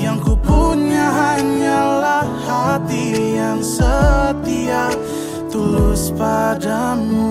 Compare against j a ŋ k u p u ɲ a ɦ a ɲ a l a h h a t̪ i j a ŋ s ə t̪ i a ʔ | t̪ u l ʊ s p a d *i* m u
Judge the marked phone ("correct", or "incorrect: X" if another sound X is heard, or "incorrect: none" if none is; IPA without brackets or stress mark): incorrect: a